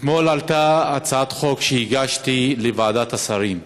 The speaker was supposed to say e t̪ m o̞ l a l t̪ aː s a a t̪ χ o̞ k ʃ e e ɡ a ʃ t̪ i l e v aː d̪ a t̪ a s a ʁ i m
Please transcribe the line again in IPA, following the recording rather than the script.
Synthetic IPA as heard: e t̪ m o̞ l a l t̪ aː t͡s a a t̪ χ o̞ k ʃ e i ɡ a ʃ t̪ i l e v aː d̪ a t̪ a s a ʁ i m